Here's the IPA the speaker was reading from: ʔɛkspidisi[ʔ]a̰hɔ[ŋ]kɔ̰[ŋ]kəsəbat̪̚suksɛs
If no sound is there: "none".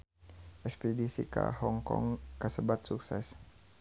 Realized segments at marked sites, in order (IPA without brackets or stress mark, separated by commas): k, ŋ, ŋ